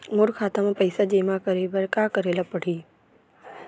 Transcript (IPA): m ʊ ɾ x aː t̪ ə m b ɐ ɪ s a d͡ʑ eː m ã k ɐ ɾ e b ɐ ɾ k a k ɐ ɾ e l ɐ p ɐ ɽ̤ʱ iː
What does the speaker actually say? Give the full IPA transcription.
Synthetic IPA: m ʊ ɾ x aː t̪ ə m p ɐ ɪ s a d͡ʑ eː m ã k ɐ ɾ e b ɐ ɾ k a k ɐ ɾ e l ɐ p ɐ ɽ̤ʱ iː